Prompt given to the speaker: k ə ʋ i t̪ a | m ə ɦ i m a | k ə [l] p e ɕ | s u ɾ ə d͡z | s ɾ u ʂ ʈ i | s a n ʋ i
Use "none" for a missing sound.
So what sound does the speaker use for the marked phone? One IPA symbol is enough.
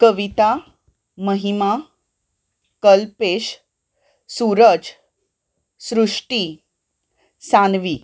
l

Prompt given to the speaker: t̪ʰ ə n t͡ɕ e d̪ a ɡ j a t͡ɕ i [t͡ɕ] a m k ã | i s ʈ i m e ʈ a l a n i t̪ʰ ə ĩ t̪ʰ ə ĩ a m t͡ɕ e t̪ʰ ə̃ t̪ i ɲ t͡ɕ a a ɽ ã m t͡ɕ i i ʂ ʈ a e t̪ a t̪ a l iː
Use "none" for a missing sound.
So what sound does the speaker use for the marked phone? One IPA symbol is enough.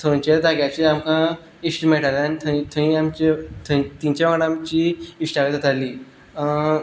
none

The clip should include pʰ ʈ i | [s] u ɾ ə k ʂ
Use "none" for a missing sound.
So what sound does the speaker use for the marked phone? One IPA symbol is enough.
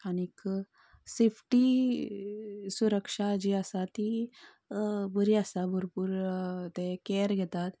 s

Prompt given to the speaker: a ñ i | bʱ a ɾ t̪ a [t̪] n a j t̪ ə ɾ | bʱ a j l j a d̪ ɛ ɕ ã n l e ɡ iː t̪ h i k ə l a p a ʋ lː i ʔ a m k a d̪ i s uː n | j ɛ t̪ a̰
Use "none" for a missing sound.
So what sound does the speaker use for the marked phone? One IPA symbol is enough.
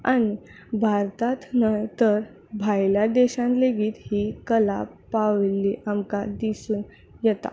t̪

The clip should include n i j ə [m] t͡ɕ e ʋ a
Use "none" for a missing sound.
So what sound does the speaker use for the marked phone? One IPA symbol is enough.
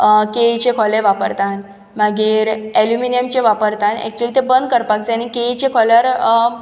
m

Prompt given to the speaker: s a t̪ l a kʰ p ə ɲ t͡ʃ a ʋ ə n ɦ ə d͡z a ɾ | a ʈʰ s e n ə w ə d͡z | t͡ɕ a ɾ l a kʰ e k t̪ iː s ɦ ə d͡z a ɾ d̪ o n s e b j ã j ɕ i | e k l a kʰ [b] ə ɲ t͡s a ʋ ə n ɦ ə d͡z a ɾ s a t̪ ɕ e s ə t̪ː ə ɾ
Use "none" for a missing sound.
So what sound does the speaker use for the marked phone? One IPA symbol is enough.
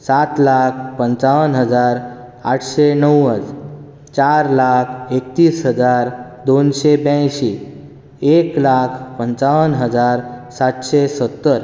p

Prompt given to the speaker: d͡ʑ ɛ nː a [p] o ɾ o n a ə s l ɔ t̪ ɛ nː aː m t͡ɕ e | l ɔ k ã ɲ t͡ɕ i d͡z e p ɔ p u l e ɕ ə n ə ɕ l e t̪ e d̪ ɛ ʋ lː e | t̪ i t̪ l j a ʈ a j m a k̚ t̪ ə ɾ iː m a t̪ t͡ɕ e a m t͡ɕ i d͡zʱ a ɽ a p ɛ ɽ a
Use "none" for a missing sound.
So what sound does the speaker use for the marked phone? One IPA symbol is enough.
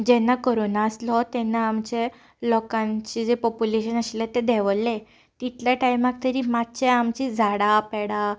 k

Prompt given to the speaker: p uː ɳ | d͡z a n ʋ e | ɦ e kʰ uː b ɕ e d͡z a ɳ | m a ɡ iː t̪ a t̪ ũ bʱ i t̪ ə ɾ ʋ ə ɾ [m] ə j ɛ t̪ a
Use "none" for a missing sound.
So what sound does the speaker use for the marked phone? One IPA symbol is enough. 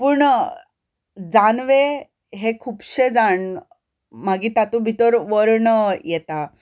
ɳ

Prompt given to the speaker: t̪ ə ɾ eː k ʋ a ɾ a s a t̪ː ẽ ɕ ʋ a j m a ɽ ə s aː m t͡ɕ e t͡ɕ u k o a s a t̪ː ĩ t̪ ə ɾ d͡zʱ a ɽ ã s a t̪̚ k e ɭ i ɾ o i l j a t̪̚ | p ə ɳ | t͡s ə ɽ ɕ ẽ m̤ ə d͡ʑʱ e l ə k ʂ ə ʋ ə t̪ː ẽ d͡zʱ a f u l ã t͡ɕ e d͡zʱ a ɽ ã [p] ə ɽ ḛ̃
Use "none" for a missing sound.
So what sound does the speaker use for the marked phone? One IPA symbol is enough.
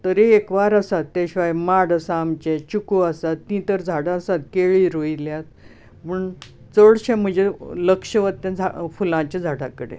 k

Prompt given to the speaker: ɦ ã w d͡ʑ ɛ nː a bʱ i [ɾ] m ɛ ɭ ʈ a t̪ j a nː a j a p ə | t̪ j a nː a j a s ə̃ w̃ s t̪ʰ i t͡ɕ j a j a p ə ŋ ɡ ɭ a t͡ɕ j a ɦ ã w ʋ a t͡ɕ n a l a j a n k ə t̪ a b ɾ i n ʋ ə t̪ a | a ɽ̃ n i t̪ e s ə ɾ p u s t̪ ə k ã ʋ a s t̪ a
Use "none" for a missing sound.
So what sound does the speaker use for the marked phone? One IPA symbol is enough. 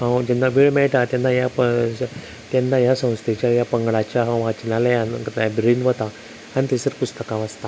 ɭ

